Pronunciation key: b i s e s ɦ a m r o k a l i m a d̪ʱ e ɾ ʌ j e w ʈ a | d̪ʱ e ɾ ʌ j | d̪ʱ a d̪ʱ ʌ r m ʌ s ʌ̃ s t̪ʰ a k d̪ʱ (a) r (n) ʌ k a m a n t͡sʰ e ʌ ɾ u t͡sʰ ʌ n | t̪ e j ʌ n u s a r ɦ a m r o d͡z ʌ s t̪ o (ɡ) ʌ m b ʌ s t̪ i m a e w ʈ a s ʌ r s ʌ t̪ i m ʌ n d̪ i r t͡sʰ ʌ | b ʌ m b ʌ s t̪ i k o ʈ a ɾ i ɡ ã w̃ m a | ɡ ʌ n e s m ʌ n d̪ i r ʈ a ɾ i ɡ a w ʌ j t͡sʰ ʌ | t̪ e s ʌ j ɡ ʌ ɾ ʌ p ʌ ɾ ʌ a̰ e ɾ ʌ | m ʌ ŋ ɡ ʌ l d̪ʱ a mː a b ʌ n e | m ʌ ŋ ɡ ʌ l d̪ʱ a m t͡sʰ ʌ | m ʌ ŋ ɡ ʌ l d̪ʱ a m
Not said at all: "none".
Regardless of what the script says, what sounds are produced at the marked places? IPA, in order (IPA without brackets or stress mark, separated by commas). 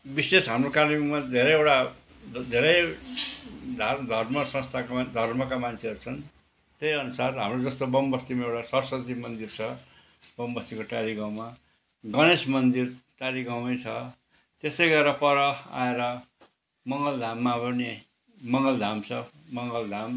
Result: ʌ, m, b